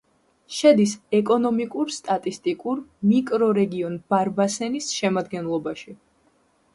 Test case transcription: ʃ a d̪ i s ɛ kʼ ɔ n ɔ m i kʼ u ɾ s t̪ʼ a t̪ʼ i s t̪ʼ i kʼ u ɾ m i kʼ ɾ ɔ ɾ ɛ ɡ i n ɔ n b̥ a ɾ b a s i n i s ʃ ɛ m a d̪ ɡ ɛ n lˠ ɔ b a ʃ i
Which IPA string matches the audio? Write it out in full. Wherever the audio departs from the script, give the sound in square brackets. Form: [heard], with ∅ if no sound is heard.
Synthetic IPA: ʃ [ɛ] d̪ i s ɛ kʼ ɔ n ɔ m i kʼ u ɾ s t̪ʼ a t̪ʼ i s t̪ʼ i kʼ u ɾ m i kʼ ɾ ɔ ɾ ɛ ɡ i [∅] ɔ n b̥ a ɾ b a s [ɛ] n i s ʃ ɛ m a d̪ ɡ ɛ n lˠ ɔ b a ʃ i